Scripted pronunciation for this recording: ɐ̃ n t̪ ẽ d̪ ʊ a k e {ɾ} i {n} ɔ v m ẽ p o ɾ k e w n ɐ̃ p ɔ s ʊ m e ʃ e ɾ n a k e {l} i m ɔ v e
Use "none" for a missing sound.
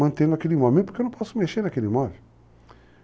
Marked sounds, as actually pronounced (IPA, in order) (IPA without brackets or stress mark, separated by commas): l, m, l